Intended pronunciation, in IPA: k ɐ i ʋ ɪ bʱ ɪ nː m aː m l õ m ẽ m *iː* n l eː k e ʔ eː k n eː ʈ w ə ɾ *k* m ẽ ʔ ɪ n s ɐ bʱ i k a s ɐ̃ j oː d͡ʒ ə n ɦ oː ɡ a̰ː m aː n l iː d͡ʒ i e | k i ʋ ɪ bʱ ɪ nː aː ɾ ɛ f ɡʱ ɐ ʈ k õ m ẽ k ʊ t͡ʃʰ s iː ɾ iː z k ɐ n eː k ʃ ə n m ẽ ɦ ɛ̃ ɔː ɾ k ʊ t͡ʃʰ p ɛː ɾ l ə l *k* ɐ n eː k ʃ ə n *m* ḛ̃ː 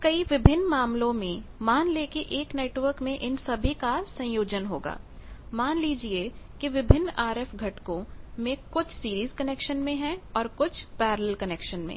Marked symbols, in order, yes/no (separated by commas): no, yes, yes, yes